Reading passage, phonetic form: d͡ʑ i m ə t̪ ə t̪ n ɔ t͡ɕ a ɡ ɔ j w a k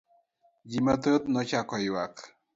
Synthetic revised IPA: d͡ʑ i m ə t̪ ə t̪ n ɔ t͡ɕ a k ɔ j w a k